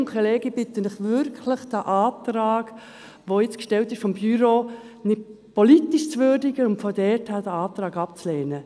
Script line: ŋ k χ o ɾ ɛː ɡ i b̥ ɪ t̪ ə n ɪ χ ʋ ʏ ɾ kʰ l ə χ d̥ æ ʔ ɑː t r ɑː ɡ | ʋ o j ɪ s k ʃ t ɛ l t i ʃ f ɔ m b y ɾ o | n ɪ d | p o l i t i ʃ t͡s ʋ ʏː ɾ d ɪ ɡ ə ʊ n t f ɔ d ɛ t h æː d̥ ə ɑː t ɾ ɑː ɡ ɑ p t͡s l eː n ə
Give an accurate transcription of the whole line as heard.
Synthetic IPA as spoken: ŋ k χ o l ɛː ɡ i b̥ ɪ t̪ ə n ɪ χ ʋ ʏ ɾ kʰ l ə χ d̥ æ ʔ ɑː t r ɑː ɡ | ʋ o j ɪ t͡s k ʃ t ɛ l t ɪ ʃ f ɔ m b y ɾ o | n ɪ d | p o l i t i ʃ t͡s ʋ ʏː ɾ d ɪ ɡ ə ʊ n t f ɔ d ɛ t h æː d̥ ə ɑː t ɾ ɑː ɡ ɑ p t͡s l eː n ə